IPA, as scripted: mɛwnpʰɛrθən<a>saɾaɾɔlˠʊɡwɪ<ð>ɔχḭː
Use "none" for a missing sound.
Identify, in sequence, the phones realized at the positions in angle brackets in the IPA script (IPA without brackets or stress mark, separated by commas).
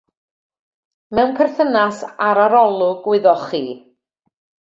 a, ð